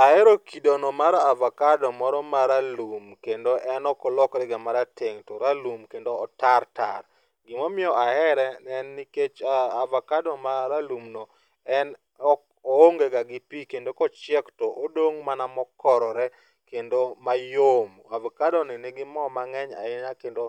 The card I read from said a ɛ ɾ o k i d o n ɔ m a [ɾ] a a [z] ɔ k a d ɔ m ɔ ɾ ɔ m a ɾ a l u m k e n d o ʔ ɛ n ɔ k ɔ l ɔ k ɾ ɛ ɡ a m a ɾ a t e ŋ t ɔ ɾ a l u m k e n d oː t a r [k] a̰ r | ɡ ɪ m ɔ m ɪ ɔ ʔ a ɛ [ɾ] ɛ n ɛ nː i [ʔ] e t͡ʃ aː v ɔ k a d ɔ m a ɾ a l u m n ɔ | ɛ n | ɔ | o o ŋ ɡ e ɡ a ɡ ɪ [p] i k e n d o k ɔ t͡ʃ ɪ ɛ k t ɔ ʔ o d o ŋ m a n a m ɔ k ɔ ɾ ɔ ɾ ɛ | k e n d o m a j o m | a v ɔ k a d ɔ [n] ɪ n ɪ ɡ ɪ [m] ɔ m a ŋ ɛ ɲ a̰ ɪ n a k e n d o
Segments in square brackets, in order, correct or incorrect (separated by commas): correct, incorrect, incorrect, correct, incorrect, correct, correct, correct